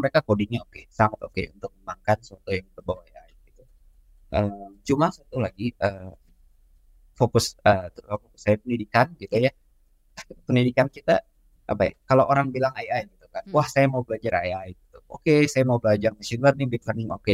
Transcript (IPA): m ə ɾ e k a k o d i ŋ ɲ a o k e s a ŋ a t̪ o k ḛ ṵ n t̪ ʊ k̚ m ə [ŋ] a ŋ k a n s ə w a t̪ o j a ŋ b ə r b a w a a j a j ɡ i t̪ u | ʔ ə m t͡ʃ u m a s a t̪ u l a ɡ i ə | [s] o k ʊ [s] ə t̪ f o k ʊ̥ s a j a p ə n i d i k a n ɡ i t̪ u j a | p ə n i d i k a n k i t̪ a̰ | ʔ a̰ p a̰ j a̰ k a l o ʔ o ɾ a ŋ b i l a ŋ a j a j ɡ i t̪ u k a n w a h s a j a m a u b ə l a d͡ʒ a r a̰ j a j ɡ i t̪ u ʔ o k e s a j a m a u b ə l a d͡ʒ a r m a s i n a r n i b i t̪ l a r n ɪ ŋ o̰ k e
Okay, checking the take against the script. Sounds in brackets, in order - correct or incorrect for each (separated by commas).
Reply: incorrect, incorrect, correct